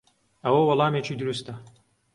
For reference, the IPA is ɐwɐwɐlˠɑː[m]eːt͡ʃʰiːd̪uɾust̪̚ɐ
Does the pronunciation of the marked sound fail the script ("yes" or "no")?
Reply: no